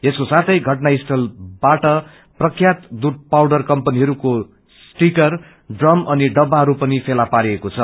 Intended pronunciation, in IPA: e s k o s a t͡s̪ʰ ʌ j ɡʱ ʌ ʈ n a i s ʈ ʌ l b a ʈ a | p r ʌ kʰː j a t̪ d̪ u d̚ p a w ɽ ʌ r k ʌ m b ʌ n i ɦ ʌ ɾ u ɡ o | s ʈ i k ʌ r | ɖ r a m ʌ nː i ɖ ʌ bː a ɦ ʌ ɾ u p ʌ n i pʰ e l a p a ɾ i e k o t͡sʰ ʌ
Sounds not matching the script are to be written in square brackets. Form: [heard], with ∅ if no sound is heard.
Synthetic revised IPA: e s k o s a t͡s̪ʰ ʌ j ɡʱ ʌ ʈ n a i s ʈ ʌ l b a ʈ [ʌ] | p r ʌ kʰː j a t̪ d̪ u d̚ p a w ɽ ʌ r k ʌ m [p] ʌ n i ɦ ʌ ɾ u [k] o | s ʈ i k ʌ r | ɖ r [ʌ] m ʌ [n] i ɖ ʌ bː a ɦ ʌ ɾ u p ʌ n i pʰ e l a p a ɾ i e k o t͡sʰ ʌ